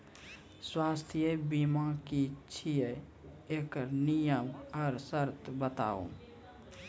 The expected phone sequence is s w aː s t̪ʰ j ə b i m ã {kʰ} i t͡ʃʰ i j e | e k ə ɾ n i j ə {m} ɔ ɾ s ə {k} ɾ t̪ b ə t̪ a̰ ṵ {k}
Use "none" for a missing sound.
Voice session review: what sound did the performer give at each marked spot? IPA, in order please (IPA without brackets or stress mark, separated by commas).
k, m, none, none